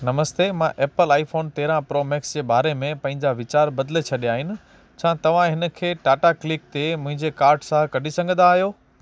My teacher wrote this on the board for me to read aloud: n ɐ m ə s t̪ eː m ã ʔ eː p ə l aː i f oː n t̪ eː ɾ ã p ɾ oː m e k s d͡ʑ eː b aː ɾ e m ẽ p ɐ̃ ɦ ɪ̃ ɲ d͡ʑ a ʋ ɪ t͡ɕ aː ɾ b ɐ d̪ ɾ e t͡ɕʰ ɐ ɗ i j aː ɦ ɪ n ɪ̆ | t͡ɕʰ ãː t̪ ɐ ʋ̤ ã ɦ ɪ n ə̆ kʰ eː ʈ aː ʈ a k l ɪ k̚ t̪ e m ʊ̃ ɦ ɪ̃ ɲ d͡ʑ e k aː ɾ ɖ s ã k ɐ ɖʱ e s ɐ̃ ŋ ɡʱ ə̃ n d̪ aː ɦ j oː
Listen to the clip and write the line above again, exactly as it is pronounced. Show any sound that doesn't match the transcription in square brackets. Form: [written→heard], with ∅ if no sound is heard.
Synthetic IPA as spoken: n ɐ m ə s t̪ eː m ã ʔ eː p ə l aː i f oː n t̪ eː ɾ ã p ɾ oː m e k s d͡ʑ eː b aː ɾ e m ẽ p ɐ̃ ɦ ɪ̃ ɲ d͡ʑ a ʋ ɪ t͡ɕ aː ɾ b ɐ d̪ [ɾ→l] e t͡ɕʰ ɐ ɗ i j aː ɦ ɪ n ɪ̆ | t͡ɕʰ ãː t̪ ɐ ʋ̤ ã ɦ ɪ n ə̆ kʰ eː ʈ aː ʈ a k l ɪ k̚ t̪ e m ʊ̃ ɦ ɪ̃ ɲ d͡ʑ e k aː ɾ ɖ s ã k ɐ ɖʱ [e→i] s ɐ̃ ŋ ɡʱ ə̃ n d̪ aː ɦ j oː